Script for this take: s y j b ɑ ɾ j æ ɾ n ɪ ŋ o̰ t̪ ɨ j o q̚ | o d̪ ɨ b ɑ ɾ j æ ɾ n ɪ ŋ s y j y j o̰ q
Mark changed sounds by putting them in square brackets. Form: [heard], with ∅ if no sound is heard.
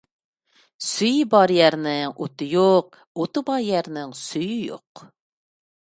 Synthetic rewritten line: s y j b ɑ ɾ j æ ɾ n ɪ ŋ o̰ t̪ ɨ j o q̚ | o [t̪] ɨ b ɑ ɾ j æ ɾ n ɪ ŋ s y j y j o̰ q